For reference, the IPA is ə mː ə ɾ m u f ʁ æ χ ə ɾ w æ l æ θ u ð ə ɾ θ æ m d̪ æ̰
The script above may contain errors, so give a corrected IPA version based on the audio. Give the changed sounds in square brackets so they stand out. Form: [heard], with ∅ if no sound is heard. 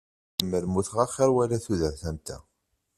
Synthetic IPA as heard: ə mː ə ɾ m u [θ] ʁ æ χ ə ɾ w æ l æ θ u ð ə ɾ θ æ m [t̪] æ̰